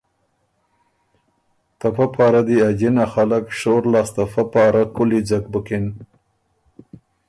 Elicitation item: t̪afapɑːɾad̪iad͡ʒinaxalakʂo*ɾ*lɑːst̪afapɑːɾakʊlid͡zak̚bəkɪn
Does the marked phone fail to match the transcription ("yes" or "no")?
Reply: no